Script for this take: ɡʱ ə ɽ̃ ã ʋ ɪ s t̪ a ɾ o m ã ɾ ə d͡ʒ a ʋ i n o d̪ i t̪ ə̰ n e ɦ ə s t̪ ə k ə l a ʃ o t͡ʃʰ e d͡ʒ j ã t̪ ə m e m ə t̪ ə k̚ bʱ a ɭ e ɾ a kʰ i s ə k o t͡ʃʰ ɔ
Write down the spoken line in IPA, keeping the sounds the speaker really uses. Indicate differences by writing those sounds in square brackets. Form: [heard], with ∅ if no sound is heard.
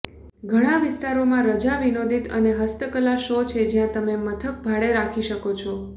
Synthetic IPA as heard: ɡʱ ə ɽ̃ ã ʋ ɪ s t̪ a ɾ o m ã ɾ ə d͡ʒ a ʋ i n o d̪ i t̪ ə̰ n e ɦ ə s t̪ ə k ə l a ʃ o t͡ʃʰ e d͡ʒ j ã t̪ ə m e m ə [t̪ʰ] ə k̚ bʱ a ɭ e ɾ a kʰ i [ʃ] ə k o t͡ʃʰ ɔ